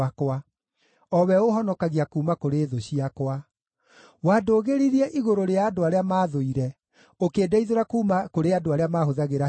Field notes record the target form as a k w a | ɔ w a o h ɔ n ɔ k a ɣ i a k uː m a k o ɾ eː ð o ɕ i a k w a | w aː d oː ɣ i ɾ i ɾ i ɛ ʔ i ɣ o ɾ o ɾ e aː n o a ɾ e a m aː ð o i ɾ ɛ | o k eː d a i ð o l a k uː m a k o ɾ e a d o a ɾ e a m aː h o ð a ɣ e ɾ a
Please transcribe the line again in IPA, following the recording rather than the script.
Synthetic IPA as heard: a k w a | ɔ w ɛ o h ɔ n ɔ k a ɣ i a k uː m a k o ɾ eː ð o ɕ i a k w a | w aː d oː ɣ e ɾ i ɾ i ɛ ʔ i ɣ o ɾ o ɾ e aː d o a ɾ e a m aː ð o i ɾ ɛ | o k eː d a i ð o ɾ a k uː m a k o ɾ e a d o a ɾ e a m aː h o ð a ɣ e ɾ a